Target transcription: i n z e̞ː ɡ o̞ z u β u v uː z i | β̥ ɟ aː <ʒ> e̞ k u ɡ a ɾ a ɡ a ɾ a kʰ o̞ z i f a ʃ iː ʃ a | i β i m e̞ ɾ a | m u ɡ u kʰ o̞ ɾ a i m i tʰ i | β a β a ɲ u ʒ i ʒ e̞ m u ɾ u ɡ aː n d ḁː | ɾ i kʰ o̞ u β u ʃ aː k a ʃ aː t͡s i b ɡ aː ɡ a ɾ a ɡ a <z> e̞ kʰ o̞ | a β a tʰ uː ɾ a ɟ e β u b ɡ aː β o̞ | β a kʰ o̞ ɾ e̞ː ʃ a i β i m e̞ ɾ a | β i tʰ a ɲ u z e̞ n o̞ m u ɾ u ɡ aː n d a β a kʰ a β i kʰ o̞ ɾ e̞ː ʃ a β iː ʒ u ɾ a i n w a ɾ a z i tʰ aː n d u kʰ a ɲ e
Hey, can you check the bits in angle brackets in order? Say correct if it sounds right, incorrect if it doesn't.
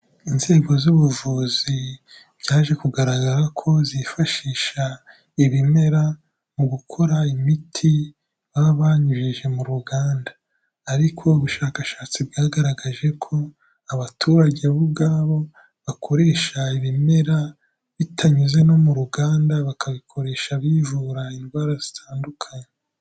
correct, incorrect

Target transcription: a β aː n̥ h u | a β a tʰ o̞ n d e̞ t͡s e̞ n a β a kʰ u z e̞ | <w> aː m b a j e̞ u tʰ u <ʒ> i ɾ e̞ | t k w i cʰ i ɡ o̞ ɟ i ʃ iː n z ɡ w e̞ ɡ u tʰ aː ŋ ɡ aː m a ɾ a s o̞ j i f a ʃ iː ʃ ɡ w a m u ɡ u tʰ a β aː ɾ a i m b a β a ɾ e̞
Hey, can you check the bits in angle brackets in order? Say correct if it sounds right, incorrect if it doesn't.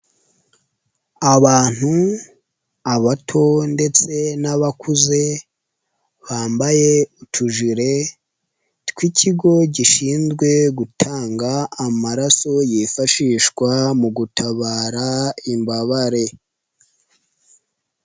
incorrect, correct

